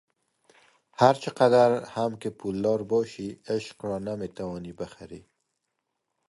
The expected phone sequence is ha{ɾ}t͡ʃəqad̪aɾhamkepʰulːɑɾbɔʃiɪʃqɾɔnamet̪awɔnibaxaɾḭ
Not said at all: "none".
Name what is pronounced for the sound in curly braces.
ɾ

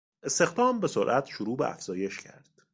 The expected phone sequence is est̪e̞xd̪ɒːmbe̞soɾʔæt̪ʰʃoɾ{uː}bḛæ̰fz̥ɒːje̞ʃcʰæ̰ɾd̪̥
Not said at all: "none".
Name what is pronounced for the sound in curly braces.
uː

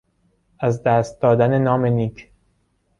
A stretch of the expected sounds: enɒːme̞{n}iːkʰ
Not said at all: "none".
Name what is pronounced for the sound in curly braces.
n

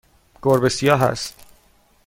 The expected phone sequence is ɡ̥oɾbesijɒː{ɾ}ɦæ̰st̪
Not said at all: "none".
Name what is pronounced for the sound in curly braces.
none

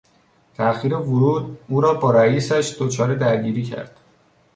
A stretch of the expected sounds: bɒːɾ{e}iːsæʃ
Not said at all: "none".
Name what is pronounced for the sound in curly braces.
æ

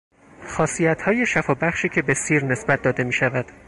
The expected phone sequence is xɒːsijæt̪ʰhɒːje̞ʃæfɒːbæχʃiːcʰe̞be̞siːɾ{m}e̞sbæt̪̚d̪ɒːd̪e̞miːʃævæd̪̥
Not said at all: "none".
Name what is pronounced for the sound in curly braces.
n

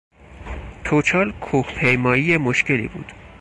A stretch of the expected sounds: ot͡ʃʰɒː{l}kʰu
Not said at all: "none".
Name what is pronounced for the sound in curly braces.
l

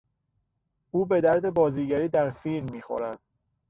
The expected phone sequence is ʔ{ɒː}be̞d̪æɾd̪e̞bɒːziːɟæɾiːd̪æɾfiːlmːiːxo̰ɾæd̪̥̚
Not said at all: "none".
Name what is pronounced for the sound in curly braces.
uː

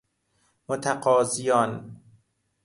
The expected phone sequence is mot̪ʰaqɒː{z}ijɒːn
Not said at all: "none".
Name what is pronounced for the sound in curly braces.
z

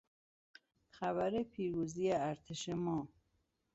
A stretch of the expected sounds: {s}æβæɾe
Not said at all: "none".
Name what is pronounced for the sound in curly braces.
x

